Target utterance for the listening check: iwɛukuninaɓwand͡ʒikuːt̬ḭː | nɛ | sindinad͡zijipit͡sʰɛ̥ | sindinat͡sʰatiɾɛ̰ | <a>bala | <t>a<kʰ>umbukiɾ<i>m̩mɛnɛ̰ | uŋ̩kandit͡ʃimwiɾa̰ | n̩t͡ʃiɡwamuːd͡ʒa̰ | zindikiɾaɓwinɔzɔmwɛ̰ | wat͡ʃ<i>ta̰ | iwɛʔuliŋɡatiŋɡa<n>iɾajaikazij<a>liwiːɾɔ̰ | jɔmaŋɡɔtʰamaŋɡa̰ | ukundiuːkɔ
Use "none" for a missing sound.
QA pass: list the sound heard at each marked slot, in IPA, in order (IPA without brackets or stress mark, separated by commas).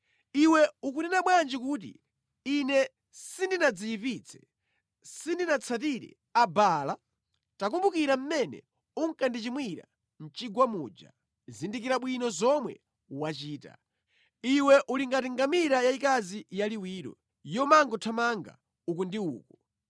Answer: a, t, k, a, iː, m, a